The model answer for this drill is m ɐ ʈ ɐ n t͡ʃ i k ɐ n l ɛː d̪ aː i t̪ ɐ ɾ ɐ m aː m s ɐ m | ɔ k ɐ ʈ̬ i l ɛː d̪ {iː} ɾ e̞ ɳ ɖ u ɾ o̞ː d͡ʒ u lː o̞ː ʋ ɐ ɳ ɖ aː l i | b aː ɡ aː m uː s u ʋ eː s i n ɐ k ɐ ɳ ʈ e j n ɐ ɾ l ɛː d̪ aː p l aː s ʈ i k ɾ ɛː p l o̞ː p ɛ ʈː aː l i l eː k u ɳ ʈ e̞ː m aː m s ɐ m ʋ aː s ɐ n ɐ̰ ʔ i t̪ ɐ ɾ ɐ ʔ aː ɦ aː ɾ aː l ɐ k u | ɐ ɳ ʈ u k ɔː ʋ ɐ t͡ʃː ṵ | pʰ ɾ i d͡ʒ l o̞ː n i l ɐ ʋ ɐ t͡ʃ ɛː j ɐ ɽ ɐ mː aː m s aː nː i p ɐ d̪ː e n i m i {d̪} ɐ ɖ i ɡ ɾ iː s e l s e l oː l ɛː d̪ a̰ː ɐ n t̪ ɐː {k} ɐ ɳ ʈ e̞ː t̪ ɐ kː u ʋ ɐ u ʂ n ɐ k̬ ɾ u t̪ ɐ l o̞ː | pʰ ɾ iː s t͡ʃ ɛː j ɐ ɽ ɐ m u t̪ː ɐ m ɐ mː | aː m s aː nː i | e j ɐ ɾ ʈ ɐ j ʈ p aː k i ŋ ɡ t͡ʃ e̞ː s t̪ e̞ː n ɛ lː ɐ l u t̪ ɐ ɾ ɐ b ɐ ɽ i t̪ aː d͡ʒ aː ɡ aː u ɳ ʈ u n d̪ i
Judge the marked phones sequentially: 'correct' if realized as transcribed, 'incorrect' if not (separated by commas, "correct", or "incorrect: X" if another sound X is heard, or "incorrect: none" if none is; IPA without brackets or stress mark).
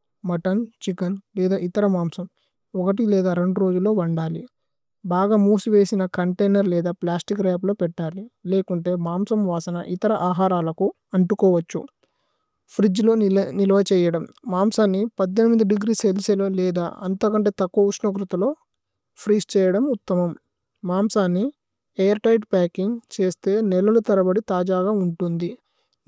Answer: incorrect: aː, correct, correct